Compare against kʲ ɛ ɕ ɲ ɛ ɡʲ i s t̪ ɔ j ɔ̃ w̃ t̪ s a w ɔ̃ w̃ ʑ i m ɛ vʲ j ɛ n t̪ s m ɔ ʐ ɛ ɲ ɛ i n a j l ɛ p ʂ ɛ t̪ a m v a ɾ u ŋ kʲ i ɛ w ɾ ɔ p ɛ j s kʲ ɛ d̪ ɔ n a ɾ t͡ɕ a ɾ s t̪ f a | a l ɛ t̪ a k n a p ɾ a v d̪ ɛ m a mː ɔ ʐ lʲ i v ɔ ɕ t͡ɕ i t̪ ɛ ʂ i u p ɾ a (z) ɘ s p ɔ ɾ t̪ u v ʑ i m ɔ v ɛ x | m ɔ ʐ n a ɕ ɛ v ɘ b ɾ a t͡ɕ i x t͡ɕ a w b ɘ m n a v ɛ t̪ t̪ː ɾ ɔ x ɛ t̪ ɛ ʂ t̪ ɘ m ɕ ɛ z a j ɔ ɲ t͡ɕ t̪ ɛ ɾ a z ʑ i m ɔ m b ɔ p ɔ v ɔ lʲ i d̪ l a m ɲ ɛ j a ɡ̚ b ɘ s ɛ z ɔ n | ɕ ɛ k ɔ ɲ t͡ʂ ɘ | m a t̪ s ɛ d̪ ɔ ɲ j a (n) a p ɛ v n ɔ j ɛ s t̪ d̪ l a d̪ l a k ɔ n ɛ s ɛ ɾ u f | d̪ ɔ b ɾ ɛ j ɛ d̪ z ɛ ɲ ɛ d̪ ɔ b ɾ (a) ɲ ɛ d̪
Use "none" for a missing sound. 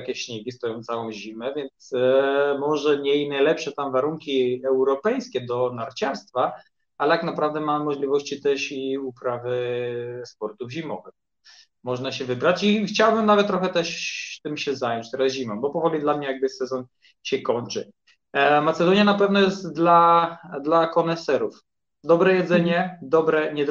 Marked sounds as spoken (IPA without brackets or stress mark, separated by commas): v, n, ɛ